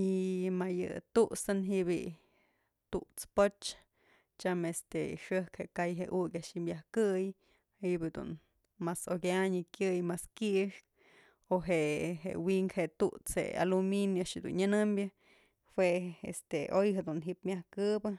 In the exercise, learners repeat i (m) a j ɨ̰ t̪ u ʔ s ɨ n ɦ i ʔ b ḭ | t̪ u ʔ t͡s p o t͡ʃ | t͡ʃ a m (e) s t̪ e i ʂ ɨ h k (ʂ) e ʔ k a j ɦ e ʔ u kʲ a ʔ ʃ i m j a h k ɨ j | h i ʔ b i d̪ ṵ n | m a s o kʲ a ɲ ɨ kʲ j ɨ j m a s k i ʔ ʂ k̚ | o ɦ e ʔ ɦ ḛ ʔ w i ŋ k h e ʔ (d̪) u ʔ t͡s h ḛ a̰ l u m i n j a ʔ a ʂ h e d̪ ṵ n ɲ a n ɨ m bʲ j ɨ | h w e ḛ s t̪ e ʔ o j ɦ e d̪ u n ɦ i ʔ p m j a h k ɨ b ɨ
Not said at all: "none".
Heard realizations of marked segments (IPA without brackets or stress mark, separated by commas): m, e, h, t̪